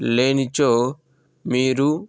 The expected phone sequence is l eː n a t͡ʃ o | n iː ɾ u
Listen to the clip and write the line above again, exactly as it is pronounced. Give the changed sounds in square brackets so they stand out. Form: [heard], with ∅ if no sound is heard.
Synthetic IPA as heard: l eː n [i] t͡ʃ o | [m] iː ɾ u